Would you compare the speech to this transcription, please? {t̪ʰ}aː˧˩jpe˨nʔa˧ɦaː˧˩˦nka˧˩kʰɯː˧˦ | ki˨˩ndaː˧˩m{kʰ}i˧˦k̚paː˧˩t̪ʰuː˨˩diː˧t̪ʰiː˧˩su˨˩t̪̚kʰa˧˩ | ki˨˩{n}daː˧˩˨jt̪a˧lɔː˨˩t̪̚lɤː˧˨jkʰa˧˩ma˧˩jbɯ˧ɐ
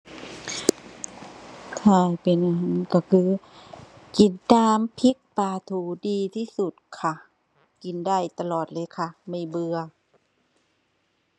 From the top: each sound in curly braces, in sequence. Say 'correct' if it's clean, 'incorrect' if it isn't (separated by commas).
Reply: correct, incorrect, correct